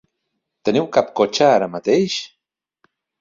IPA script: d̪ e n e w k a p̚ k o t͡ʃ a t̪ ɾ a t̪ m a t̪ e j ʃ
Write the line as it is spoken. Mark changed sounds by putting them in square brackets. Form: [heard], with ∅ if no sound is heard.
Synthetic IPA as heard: [t̪] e n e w k a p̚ k o t͡ʃ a [∅] ɾ a [∅] m a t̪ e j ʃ